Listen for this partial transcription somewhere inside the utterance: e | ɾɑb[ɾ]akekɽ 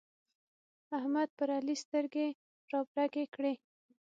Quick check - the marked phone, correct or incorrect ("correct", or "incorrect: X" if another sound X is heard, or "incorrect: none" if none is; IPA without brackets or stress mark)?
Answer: correct